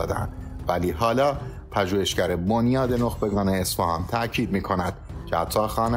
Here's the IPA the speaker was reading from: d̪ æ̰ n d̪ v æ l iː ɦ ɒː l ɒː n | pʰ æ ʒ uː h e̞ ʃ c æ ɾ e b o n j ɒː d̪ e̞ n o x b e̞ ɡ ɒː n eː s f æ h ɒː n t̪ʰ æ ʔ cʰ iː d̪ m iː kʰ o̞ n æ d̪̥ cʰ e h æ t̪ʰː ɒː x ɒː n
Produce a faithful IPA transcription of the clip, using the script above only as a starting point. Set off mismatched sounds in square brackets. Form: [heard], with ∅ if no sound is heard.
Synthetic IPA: d̪ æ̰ n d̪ v æ l iː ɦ ɒː l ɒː [∅] | pʰ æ ʒ uː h e̞ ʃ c æ ɾ e b o n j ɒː d̪ e̞ n o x b e̞ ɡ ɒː n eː s f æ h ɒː n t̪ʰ æ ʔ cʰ iː d̪ m iː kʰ o̞ n æ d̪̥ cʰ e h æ t̪ʰː ɒː x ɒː n